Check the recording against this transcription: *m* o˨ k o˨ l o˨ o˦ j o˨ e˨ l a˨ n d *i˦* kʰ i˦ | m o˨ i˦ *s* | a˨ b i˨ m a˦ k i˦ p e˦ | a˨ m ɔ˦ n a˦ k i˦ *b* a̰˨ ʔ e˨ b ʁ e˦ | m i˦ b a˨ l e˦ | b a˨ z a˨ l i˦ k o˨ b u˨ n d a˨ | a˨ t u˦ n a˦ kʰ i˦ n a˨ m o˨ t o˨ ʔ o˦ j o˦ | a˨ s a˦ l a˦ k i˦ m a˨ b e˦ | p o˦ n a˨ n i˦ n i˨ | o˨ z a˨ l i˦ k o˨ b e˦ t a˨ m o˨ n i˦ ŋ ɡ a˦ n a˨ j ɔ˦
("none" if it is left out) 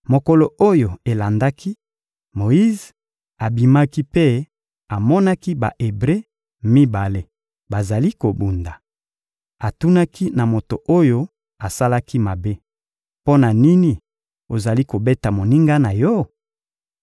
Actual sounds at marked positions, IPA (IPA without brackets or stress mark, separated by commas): m, a˦, z, b